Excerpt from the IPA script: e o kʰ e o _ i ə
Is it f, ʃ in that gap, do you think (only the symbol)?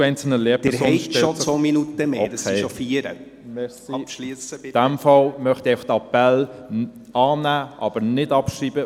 f